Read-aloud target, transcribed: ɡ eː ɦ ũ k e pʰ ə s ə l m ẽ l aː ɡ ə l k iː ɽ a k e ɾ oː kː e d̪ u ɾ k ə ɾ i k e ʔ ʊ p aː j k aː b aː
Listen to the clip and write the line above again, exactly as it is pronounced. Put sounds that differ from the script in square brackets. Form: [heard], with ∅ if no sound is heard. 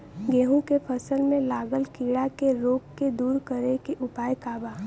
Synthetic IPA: ɡ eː ɦ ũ k e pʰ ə s ə l m ẽ l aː ɡ ə l k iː ɽ a k e ɾ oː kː e d̪ [uː] ɾ k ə ɾ [e] k e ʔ ʊ p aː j k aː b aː